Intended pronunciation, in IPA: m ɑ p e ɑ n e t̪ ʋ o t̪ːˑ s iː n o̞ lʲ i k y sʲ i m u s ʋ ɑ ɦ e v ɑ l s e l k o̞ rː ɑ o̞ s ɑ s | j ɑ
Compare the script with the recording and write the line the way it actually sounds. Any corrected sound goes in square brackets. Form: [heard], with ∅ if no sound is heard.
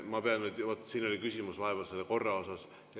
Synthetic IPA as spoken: m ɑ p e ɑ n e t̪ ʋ o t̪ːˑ s iː n o̞ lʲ i k y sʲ i m u s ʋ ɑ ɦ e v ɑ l s e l k o̞ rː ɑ o̞ s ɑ s | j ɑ

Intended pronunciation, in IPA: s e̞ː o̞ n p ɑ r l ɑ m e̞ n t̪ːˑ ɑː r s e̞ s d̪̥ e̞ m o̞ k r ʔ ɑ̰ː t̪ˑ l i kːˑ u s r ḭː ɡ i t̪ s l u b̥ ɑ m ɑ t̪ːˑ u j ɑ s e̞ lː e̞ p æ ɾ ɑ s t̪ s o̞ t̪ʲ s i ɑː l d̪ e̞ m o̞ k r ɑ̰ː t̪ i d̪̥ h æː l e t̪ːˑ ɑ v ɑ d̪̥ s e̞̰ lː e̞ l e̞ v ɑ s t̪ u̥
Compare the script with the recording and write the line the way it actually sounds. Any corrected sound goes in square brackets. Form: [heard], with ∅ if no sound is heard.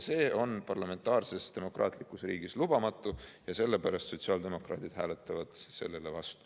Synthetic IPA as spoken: s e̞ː o̞ n p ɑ r l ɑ m e̞ n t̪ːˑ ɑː r s e̞ s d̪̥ e̞ m o̞ k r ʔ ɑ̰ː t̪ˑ l i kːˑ u s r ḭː ɡ i [∅] s l u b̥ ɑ m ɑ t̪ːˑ u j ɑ s e̞ lː e̞ p æ ɾ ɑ s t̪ s o̞ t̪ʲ s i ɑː l d̪ e̞ m o̞ k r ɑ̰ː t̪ i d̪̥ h æː l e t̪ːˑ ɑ v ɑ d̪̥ s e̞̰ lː e̞ l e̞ v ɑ s t̪ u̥

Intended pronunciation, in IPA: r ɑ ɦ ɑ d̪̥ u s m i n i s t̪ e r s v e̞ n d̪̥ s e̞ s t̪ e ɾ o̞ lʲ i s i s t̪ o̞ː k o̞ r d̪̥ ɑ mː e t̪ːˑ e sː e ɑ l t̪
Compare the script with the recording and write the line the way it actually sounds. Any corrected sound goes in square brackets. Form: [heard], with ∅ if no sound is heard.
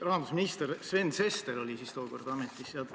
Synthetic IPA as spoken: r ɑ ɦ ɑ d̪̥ u s m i n i s t̪ e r s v e̞ n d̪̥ s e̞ s t̪ e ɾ o̞ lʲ i s i s t̪ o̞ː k o̞ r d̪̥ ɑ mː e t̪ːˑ [i] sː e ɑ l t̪

